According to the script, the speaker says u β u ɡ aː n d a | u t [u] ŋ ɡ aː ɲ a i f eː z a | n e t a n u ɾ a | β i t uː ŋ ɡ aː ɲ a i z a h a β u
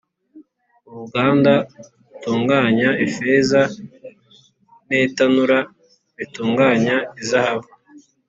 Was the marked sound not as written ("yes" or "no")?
yes